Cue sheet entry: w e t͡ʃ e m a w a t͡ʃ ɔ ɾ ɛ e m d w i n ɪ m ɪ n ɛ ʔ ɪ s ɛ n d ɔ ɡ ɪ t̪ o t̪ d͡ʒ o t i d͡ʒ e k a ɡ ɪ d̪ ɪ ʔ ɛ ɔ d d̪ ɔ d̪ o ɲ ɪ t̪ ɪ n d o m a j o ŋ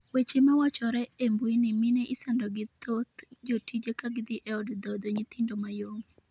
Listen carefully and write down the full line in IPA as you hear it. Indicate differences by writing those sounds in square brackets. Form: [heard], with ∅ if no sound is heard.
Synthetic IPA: w e t͡ʃ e m a w a t͡ʃ ɔ ɾ ɛ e m [b] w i n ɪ m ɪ n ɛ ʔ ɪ s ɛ n d ɔ ɡ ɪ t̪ o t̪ d͡ʒ o t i d͡ʒ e k a ɡ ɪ d̪ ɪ ʔ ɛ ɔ d d̪ ɔ d̪ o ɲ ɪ t̪ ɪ n d o m a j o ŋ